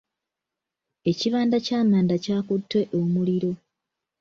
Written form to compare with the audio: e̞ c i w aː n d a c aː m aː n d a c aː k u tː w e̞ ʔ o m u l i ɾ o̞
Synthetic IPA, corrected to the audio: e̞ c i β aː n d a c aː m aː n d a c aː k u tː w e̞ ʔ o m u l i ɾ o̞